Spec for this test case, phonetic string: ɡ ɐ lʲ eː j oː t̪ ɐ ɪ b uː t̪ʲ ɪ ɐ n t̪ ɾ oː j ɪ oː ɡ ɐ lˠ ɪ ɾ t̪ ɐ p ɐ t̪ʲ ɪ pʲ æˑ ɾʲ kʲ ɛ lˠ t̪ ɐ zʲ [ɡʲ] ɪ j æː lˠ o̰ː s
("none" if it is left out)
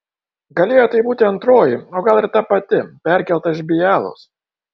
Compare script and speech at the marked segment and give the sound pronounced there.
bʲ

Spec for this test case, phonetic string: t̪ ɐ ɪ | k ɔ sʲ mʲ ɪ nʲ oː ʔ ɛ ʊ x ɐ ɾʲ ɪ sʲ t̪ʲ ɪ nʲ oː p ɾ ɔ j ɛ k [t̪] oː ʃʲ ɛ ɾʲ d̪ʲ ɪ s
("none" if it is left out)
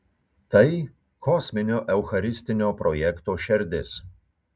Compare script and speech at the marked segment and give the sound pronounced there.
t̪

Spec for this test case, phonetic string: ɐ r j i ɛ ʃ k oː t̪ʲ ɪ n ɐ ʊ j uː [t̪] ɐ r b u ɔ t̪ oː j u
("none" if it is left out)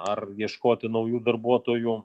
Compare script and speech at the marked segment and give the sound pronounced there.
d̪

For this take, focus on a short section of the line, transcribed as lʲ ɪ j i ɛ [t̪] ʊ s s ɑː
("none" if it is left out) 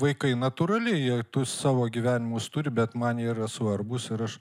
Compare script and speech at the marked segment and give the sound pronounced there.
t̪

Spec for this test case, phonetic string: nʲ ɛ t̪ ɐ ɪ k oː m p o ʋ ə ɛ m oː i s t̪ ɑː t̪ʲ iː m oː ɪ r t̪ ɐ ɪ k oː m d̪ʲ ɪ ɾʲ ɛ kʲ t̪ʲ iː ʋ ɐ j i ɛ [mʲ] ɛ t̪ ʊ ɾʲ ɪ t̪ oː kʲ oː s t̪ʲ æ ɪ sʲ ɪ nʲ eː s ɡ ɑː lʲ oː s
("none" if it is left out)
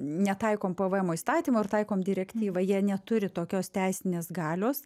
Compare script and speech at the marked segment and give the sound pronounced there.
nʲ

